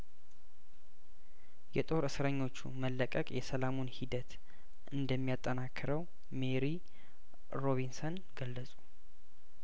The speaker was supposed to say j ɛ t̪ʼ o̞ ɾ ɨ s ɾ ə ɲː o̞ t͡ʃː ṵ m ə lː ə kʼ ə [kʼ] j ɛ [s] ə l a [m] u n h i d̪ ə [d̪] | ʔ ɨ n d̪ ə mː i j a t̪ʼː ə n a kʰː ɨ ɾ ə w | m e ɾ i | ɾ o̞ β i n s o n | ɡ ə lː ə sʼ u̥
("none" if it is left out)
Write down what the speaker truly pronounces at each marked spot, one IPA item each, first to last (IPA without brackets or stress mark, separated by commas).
kʼ, s, m, t̪